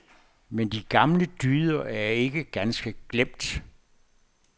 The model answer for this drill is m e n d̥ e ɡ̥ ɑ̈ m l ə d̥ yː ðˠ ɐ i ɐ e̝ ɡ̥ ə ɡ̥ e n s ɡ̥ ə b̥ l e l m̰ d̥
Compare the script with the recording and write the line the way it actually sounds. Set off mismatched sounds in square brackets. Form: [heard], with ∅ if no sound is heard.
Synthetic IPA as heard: m e n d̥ [i] ɡ̥ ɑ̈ m l ə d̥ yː ðˠ ɐ [æ] ɐ e̝ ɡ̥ ə ɡ̥ [æ] n s ɡ̥ ə [ɡ̥] l e [∅] m̰ d̥